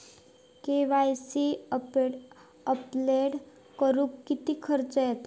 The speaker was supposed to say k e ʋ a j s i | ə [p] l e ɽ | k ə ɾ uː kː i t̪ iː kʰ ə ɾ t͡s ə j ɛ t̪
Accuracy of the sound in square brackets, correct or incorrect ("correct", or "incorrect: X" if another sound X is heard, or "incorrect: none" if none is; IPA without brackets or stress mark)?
correct